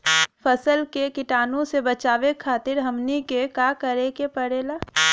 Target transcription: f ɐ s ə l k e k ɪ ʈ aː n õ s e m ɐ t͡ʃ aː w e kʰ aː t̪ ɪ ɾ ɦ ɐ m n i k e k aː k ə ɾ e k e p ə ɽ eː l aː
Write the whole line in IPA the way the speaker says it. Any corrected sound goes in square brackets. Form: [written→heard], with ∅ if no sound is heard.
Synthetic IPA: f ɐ s ə l k e k ɪ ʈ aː n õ s e [m→b] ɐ t͡ʃ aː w e kʰ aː t̪ ɪ ɾ ɦ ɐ m n i k e k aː k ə ɾ e k e p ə ɽ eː l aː